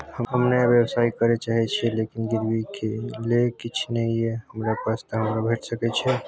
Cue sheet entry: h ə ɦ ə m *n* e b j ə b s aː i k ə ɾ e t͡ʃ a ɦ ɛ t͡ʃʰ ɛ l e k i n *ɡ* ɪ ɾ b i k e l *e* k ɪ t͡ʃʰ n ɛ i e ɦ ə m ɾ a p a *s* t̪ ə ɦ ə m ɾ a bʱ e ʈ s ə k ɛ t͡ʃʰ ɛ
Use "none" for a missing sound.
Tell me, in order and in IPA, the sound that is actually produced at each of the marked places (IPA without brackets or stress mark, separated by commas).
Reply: n, ɡ, e, s